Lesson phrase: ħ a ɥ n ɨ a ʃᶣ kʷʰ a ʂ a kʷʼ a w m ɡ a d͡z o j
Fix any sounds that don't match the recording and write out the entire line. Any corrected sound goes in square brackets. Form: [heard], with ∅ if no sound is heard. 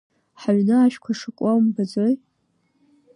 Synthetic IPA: ħ a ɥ n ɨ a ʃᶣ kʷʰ a ʂ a kʷʼ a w m [b] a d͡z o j

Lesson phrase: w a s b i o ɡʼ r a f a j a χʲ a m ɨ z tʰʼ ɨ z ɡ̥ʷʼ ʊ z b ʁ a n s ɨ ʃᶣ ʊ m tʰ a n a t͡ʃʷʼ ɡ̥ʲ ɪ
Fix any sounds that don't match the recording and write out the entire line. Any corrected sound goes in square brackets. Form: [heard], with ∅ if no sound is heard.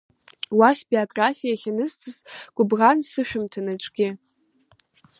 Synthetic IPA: w a s b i o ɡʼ r a f [i] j a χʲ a [n] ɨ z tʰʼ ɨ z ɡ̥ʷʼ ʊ [∅] b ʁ a n s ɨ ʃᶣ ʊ m tʰ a n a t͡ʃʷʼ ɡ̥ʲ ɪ

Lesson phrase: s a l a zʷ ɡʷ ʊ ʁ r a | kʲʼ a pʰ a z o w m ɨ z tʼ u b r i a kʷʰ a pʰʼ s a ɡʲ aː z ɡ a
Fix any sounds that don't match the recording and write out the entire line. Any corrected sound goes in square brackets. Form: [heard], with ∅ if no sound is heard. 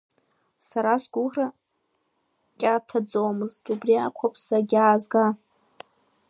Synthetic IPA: s a [ɾ] a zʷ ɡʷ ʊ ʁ r a | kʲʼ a [tʰ] a [d͡z] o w m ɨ z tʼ u b r i a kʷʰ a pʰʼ s a ɡʲ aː z ɡ a

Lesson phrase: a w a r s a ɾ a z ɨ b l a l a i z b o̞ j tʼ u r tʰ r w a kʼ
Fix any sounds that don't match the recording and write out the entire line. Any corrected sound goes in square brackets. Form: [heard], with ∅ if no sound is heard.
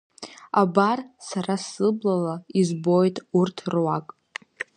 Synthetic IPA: a [b] a r s a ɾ a [s] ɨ b l a l a i z b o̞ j tʼ u r tʰ r w a kʼ

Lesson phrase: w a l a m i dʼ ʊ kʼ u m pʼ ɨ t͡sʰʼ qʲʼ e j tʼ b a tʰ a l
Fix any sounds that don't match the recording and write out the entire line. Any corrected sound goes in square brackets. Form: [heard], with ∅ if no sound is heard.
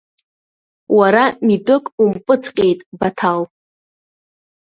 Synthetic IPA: w a [ɾ] a m i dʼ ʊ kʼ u m pʼ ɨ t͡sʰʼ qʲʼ e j tʼ b a tʰ a l

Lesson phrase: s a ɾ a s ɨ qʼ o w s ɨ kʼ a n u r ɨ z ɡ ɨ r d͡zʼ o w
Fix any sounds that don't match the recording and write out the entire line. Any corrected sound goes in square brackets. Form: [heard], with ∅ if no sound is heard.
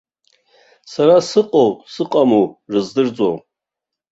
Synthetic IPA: s a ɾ a s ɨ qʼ o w s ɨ [qʼ] a [m] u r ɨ z [d] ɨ r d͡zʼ o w

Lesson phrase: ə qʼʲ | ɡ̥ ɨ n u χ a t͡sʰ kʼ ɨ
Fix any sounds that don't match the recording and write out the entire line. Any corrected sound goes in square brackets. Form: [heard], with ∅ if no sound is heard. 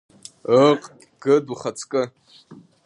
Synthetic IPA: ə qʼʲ | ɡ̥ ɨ [d] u χ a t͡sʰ kʼ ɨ

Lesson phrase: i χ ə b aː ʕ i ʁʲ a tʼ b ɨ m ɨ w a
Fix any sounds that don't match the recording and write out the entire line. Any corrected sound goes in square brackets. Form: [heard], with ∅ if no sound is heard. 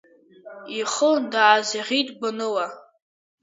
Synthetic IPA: i χ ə [d] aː [z] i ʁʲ [i] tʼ b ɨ [n] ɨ w a

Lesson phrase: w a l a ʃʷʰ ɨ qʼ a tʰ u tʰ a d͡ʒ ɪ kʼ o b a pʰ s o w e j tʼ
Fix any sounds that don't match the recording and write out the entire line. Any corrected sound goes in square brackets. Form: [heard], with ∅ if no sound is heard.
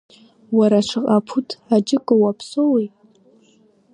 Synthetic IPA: w a [ɾ] a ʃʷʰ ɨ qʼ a [pʰ] u tʰ a d͡ʒ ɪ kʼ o [w] a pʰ s o w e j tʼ

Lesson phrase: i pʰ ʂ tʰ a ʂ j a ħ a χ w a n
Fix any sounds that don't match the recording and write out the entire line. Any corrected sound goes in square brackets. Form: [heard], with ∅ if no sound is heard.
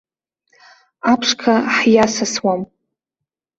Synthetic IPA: [a] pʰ ʂ [kʰ] a [ħ] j a [s] a [s] w a [m]

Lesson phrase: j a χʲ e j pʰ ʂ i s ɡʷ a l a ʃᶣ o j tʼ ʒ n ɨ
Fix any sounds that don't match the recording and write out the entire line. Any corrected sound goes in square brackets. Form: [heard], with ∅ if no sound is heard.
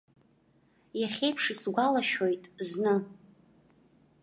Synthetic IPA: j a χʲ e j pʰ ʂ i s ɡʷ a l a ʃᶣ o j tʼ [z] n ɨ

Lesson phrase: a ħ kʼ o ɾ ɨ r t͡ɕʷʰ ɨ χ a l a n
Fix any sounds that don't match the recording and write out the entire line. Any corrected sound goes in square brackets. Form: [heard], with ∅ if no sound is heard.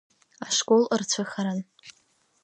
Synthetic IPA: a [ʂ] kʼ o [l] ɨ r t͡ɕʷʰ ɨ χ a [ɾ] a n

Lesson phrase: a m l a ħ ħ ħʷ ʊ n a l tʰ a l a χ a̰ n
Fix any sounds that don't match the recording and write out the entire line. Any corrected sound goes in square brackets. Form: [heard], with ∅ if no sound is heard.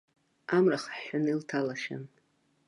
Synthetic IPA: a m [r] a [χ] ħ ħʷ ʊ n [i] l tʰ a l a [ʃ] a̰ n

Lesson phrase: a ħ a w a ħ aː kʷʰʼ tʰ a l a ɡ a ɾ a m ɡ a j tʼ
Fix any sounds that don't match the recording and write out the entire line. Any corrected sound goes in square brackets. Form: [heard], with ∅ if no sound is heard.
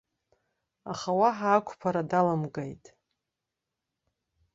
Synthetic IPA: a [χ] a w a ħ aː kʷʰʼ [pʰ] a [ɾ] a [d] a [l] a m ɡ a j tʼ

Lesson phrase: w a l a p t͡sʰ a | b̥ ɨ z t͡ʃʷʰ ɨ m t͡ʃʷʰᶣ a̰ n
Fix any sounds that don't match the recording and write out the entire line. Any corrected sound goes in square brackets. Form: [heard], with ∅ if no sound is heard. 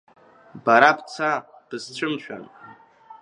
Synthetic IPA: [b] a [ɾ] a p t͡sʰ a | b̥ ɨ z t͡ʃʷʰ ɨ m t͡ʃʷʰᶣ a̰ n

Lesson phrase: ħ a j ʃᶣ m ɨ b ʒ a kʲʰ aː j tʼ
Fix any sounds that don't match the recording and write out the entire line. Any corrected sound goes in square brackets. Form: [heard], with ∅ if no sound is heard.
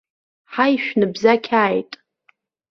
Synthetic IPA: ħ a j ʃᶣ [n] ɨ b [z] a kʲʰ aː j tʼ

